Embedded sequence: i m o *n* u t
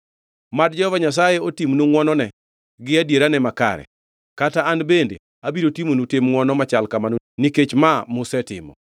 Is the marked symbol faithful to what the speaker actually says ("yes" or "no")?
yes